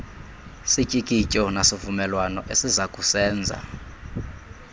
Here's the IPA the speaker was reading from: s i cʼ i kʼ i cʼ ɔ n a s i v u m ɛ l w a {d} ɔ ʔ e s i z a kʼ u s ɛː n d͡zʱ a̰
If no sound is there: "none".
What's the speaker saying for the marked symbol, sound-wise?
n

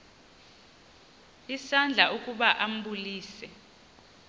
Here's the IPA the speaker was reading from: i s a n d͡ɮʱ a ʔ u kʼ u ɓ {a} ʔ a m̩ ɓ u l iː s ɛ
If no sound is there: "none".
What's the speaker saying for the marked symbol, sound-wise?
a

